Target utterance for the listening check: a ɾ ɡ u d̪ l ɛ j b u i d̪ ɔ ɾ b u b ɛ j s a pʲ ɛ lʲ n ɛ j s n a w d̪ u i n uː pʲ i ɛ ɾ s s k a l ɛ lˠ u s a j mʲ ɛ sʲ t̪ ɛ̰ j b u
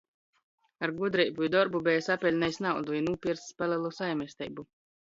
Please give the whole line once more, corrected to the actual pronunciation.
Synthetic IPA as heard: a ɾ ɡ u d̪ ɾ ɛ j b u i d̪ ɔ ɾ b u b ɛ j s a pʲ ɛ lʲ n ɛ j s n a w d̪ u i n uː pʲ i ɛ ɾ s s p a l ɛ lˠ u s a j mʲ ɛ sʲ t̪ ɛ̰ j b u